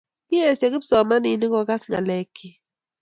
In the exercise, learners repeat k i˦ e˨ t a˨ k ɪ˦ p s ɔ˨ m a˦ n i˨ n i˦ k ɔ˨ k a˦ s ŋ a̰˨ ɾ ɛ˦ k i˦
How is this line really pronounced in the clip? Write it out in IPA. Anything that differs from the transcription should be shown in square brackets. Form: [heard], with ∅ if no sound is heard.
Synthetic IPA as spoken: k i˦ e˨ [s] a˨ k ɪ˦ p s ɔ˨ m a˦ n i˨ n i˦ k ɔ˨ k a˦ s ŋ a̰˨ [l] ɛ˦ k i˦